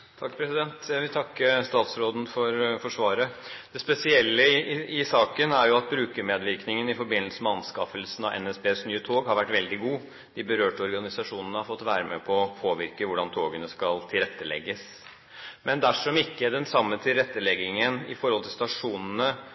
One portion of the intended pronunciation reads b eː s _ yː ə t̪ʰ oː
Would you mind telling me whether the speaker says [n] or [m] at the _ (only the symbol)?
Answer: n